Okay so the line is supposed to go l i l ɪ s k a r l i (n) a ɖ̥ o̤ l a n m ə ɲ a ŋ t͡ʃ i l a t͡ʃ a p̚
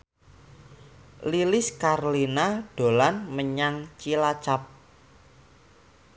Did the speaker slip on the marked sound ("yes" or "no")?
no